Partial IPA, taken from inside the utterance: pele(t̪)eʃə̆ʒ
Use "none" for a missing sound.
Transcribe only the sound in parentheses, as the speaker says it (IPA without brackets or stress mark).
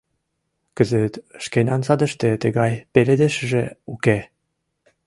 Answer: d̪